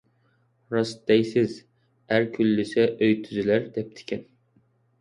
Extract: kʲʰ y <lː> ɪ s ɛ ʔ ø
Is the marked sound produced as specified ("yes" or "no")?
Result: yes